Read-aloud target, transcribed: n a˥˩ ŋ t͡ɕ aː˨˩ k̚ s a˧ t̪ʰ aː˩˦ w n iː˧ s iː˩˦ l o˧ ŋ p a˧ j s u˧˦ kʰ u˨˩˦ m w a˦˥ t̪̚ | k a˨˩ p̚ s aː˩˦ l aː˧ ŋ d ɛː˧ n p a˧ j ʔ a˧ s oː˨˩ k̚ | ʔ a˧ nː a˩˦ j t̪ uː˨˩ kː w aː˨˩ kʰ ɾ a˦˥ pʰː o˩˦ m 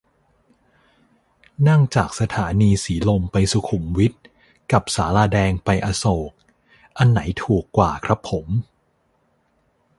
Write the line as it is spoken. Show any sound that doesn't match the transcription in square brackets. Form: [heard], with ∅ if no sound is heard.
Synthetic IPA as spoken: n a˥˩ ŋ t͡ɕ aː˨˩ k̚ s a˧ t̪ʰ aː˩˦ [∅] n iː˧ s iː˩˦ l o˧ [m] p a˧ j s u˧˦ kʰ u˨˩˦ m w [i˦˥] t̪̚ | k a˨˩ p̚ s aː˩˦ l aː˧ [∅] d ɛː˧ [ŋ] p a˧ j ʔ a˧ s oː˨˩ k̚ | ʔ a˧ nː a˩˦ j [t̪ʰ] uː˨˩ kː w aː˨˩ kʰ ɾ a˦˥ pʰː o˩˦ m